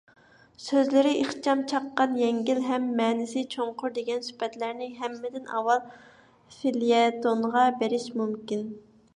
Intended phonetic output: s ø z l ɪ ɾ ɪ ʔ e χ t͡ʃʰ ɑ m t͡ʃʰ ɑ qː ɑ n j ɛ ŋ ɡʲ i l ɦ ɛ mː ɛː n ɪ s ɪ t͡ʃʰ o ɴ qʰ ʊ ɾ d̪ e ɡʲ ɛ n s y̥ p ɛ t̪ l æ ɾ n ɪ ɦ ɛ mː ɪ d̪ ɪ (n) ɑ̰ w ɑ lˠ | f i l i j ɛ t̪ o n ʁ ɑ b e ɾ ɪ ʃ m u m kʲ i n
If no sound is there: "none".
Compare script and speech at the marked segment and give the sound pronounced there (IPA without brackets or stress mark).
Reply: n